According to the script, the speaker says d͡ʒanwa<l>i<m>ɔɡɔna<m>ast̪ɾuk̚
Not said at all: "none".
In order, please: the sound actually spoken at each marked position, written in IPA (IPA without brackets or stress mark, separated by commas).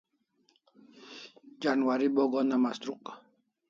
ɾ, b, m